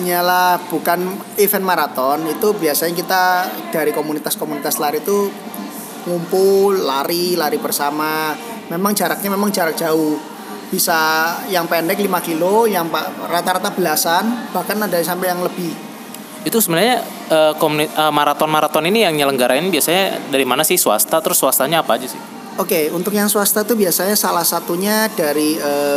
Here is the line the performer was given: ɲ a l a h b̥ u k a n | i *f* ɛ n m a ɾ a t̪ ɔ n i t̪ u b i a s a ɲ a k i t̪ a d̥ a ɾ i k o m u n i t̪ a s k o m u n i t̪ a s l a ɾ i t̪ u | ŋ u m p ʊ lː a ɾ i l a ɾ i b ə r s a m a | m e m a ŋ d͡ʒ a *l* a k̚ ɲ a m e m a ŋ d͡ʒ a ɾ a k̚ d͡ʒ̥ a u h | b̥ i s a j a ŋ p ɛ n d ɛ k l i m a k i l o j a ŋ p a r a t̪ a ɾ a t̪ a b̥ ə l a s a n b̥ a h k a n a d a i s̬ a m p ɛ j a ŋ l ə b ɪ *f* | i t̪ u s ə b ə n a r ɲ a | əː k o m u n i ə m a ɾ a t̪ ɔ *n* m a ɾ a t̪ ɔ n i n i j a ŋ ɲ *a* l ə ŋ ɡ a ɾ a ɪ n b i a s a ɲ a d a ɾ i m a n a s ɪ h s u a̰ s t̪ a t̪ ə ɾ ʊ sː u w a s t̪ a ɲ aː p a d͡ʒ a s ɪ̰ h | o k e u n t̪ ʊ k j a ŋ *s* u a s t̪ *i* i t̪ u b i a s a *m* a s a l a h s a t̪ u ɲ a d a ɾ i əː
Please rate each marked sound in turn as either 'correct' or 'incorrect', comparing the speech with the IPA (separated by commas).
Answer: correct, incorrect, incorrect, correct, incorrect, correct, incorrect, incorrect